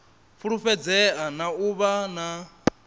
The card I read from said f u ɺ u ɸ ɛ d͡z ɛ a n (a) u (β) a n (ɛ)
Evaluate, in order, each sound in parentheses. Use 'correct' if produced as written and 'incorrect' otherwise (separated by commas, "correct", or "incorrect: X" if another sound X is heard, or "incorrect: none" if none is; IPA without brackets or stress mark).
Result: correct, correct, incorrect: a